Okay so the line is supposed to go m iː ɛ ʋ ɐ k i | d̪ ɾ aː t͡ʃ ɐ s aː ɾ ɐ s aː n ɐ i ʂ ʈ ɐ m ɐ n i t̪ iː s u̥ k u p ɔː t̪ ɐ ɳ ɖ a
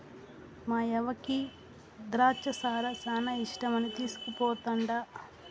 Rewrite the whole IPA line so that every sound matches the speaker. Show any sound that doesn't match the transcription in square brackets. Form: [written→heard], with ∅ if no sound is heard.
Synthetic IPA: m [iː→aː] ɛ ʋ ɐ k i | d̪ ɾ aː t͡ʃ ɐ s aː ɾ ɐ s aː n ɐ i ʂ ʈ ɐ m ɐ n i t̪ iː s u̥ k u p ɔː t̪ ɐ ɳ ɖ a

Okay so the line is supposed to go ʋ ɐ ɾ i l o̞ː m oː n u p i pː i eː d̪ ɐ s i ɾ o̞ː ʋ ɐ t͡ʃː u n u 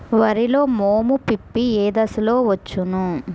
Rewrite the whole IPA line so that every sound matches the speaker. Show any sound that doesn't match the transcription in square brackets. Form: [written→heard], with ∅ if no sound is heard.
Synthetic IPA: ʋ ɐ ɾ i l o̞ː m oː [n→m] u p i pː i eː d̪ ɐ s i [ɾ→l] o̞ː ʋ ɐ t͡ʃː u n u

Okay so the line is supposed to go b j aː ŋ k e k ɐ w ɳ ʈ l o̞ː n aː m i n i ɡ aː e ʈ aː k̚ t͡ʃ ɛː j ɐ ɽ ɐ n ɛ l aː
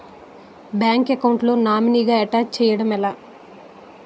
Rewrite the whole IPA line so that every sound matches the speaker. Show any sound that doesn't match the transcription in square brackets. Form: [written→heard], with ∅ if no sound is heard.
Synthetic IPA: b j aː ŋ k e k ɐ w ɳ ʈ l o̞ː n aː m i n i ɡ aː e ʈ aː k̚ t͡ʃ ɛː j ɐ ɽ ɐ [n→m] ɛ l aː

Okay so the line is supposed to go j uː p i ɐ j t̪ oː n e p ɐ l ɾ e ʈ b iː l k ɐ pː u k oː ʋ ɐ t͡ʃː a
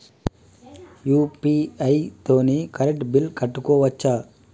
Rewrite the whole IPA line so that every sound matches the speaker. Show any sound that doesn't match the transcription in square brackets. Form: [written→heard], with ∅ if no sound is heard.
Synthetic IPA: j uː p i ɐ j t̪ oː n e [p→k] ɐ [l→∅] ɾ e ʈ b [iː→i] l k ɐ [pː→ʈː] u k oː ʋ ɐ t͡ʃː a

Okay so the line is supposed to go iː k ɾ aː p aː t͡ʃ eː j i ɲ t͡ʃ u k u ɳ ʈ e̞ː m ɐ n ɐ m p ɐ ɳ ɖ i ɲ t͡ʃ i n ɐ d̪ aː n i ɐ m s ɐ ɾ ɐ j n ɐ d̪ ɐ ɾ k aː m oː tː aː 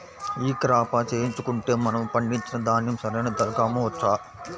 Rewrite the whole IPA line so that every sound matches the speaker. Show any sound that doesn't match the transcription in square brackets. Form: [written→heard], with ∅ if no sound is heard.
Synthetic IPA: iː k ɾ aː p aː t͡ʃ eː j i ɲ t͡ʃ u k u ɳ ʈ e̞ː m ɐ n ɐ m p ɐ ɳ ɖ i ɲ t͡ʃ i n ɐ d̪ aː n [i→j] ɐ m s ɐ ɾ ɐ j n ɐ d̪ ɐ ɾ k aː m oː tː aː

